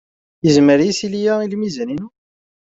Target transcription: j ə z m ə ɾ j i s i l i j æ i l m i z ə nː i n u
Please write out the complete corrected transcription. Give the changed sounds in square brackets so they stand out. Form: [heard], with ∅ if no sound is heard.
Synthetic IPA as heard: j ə z m ə ɾ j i s i l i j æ i l m i z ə [n] i n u